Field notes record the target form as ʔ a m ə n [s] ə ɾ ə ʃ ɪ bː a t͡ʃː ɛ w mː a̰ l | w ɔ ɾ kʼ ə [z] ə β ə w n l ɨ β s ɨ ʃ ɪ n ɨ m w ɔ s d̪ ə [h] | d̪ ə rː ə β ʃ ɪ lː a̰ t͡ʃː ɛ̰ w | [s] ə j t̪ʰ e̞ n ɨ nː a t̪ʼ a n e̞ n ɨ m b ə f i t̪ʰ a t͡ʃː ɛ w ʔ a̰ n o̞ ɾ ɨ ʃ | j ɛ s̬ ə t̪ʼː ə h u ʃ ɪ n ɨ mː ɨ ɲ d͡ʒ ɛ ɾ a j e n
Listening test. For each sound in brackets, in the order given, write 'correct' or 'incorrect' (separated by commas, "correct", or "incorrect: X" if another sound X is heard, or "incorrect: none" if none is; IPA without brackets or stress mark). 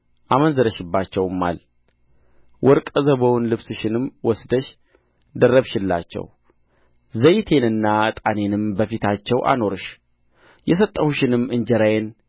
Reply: incorrect: z, correct, incorrect: ʃ, incorrect: z